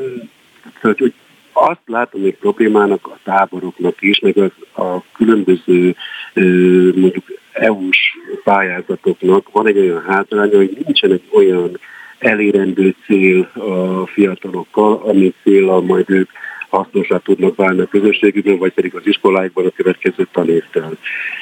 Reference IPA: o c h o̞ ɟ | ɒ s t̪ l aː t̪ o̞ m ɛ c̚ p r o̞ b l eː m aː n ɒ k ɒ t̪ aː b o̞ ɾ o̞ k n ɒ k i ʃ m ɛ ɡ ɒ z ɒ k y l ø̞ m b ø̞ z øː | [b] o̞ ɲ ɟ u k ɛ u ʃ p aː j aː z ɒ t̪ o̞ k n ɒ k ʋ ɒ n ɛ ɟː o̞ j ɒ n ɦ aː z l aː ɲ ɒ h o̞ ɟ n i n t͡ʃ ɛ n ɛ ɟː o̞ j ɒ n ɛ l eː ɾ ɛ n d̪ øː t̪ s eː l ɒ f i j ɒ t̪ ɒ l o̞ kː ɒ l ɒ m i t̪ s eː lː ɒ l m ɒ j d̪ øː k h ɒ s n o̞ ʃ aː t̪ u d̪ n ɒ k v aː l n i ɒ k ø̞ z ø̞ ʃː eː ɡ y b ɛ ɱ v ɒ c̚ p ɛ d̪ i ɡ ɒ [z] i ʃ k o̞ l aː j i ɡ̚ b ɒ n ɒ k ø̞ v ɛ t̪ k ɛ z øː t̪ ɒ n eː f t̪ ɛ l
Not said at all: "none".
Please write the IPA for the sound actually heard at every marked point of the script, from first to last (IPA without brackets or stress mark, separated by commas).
m, z